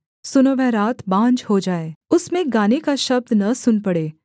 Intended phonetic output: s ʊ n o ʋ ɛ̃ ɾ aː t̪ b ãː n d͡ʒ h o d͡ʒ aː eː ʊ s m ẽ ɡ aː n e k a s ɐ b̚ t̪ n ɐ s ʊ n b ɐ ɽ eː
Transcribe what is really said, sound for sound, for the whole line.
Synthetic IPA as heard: s ʊ n o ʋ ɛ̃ ɾ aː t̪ b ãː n d͡ʒ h o d͡ʒ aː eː ʊ s m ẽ ɡ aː n e k a ʃ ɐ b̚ d̪ n ɐ s ʊ n p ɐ ɽ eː